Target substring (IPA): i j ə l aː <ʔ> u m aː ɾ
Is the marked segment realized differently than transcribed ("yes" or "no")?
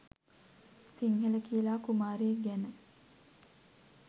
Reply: yes